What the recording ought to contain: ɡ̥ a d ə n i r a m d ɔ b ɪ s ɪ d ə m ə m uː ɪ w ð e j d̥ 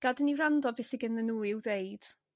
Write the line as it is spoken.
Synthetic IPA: ɡ̥ a d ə n i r a n d ɔ b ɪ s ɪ ɡ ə n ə n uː ɪ w ð e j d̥